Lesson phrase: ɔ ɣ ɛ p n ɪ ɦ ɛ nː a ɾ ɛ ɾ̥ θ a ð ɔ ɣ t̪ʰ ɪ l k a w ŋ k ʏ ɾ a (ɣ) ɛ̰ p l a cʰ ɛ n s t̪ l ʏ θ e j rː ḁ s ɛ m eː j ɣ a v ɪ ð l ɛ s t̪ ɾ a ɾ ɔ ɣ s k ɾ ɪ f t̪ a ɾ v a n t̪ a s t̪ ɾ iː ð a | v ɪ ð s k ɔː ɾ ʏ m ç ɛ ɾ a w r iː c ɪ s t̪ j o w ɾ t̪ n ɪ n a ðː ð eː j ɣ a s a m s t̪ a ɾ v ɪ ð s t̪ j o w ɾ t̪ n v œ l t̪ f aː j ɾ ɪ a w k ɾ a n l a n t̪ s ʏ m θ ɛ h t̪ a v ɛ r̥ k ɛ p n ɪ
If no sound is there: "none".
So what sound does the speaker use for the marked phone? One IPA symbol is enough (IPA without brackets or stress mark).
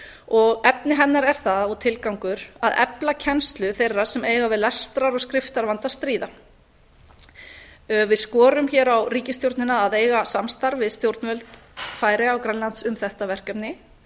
ð